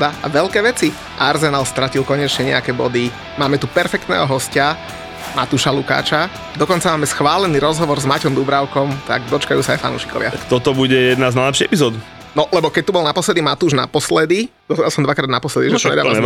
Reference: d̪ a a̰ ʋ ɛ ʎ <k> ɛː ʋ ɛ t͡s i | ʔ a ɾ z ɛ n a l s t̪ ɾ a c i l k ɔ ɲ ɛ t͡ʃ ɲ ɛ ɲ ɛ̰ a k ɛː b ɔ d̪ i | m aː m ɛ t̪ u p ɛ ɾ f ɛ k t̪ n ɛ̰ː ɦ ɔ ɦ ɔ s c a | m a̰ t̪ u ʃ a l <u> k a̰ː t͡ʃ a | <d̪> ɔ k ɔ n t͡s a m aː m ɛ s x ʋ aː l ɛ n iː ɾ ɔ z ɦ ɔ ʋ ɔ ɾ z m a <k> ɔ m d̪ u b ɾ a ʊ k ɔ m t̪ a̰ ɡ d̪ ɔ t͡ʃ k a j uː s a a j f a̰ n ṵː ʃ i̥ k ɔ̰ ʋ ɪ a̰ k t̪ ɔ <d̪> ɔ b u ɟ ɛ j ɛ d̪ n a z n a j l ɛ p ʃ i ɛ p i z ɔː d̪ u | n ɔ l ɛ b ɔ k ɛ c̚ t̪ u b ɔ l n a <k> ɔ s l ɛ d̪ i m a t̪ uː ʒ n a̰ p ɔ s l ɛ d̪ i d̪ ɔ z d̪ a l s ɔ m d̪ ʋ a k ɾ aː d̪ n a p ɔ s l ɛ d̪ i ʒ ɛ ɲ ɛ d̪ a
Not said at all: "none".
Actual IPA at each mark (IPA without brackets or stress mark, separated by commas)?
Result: k, u, d̪, c, t̪, p